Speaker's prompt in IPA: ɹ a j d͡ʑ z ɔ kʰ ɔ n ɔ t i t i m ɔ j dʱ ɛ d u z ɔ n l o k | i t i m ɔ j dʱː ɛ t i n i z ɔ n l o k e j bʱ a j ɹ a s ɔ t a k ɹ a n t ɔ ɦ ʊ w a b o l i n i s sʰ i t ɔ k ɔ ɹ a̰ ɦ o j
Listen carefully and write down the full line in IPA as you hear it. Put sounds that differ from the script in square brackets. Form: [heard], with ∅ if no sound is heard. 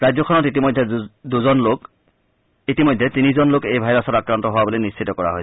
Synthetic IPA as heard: ɹ a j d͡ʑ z ɔ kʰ ɔ n ɔ t i t i m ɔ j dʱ ɛ d u z ɔ n l o k | i t i m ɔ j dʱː ɛ t i n i z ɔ n l o k e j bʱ a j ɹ a s ɔ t a k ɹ a n t ɔ ɦ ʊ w a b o l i n i s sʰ i t ɔ k ɔ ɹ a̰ ɦ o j